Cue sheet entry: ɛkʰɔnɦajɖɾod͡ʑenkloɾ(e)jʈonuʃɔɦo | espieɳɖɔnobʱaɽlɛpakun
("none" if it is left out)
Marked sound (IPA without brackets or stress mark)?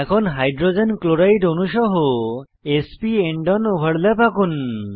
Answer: a